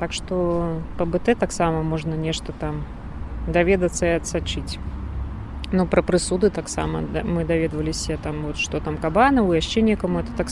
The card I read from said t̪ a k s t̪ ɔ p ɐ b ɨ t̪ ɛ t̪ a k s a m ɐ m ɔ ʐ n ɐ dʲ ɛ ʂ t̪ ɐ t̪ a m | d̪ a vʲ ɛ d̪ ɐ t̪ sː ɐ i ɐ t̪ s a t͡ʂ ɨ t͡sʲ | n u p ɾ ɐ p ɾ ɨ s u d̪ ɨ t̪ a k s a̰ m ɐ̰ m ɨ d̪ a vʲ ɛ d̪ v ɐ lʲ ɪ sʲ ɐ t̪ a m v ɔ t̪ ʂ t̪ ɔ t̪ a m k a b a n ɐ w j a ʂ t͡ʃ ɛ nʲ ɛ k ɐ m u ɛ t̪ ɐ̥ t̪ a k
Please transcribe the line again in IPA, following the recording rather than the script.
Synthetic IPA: t̪ a k ʂ t̪ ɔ p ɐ b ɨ t̪ ɛ t̪ a k s a m ɐ m ɔ ʐ n ɐ nʲ ɛ ʂ t̪ ɐ t̪ a m | d̪ a vʲ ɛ d̪ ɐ t̪ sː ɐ i ɐ t̪ s a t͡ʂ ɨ t͡sʲ | n u p ɾ ɐ p ɾ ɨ s u d̪ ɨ t̪ a k s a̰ m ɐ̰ m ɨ d̪ a vʲ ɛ d̪ v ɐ lʲ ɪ sʲ ɐ t̪ a m v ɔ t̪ ʂ t̪ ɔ t̪ a m k a b a n ɐ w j a ʂ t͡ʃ ɛ nʲ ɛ k ɐ m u ɛ t̪ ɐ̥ t̪ a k